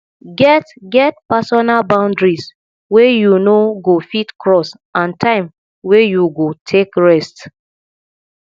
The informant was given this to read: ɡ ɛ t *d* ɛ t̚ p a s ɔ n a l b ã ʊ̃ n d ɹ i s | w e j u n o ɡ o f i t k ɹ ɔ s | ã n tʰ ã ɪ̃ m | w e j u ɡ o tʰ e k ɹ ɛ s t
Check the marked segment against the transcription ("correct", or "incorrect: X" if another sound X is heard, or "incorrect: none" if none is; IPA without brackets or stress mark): incorrect: ɡ